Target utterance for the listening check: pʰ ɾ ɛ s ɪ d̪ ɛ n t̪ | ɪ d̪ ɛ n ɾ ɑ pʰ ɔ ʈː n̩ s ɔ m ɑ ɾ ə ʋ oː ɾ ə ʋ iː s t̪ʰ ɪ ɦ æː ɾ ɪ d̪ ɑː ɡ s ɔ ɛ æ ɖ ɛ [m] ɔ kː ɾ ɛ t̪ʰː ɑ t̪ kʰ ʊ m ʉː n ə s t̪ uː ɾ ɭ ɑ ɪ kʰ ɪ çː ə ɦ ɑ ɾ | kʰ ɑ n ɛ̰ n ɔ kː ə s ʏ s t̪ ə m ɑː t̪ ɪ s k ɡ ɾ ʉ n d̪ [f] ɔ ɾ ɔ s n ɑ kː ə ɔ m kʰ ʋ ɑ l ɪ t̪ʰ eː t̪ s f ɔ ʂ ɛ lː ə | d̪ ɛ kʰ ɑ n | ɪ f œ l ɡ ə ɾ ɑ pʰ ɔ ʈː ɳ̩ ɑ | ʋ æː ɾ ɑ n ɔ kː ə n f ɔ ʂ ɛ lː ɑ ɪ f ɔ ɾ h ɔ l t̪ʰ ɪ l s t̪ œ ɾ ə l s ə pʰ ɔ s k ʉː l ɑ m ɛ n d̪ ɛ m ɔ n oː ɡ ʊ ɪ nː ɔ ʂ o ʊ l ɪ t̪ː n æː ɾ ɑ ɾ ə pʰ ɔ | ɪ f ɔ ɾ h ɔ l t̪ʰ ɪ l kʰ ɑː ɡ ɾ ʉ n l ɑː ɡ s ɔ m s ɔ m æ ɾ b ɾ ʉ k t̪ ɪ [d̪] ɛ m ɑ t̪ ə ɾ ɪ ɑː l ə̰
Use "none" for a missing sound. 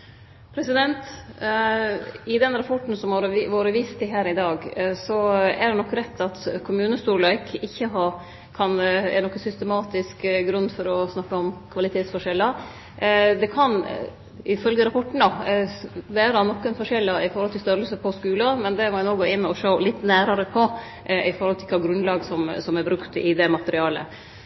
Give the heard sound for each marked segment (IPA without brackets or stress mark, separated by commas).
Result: n, f, d̪